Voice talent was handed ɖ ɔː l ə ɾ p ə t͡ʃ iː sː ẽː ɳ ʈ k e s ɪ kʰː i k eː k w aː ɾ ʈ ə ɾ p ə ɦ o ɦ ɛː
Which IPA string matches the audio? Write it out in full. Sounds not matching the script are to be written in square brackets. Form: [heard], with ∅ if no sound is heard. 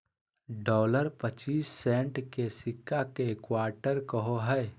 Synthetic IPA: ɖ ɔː l ə ɾ p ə t͡ʃ iː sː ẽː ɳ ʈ k e s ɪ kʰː [a] k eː k w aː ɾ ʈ ə ɾ [k] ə ɦ o ɦ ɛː